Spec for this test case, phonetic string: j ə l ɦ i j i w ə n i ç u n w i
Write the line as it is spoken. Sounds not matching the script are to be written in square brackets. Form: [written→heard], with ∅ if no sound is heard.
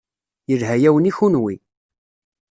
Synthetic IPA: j ə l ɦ [i→æ] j [i→æ] w ə n i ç u n w i